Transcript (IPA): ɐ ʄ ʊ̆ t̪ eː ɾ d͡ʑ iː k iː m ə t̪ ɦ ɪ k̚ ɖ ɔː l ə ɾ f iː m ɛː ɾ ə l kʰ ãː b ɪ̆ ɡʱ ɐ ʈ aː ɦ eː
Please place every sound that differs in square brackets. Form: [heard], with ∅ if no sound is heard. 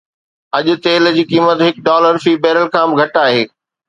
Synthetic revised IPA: ɐ ʄ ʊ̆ t̪ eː [l] d͡ʑ iː k iː m ə t̪ ɦ ɪ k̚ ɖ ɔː l ə ɾ f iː [b] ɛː ɾ ə l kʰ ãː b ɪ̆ ɡʱ ɐ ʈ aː ɦ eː